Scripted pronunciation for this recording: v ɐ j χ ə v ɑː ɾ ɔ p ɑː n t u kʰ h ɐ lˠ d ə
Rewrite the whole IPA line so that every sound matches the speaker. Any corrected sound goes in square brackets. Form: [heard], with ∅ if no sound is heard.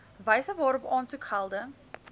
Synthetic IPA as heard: v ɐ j [s] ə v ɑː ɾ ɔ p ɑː n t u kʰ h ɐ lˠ d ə